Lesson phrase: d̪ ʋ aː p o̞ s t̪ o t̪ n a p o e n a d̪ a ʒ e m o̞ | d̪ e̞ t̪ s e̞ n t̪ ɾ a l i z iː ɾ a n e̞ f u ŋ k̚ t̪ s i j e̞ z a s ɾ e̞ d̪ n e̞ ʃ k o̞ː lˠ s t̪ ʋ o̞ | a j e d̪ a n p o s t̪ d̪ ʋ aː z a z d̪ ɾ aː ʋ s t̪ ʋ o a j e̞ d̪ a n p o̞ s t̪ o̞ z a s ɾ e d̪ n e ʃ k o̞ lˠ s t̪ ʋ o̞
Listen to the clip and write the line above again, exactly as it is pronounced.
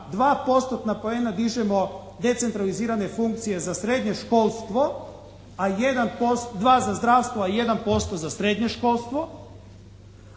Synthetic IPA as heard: d̪ ʋ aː p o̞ s t̪ o t̪ n a p o e n a d̪ i ʒ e m o̞ | d̪ e̞ t̪ s e̞ n t̪ ɾ a l i z iː ɾ a n e̞ f u ŋ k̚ t̪ s i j e̞ z a s ɾ e̞ d̪ ɲ e̞ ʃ k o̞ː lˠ s t̪ ʋ o̞ | a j e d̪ a n p o s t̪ d̪ ʋ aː z a z d̪ ɾ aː ʋ s t̪ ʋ o a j e̞ d̪ a n p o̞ s t̪ o̞ z a s ɾ e d̪ ɲ e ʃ k o̞ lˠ s t̪ ʋ o̞